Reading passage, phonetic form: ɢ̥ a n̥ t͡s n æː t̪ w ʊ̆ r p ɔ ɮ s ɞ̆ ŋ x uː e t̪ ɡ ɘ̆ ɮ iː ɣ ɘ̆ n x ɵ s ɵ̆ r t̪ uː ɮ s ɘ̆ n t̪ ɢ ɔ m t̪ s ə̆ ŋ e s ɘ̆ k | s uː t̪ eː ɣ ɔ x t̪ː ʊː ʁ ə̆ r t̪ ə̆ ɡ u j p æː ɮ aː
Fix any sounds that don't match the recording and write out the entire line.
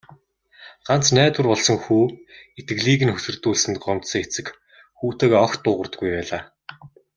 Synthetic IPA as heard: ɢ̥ a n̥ t͡s n æː t̪ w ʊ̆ r p ɔ ɮ s ɞ̆ ŋ x uː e t̪ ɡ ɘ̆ ɮ iː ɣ ɘ̆ n x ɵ s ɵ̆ r t̪ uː ɮ s ɘ̆ n t̪ ɢ ɔ m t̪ s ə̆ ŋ e t͡s ɘ̆ k | x uː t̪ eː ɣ ɔ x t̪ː ʊː ʁ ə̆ r t̪ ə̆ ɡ u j p æː ɮ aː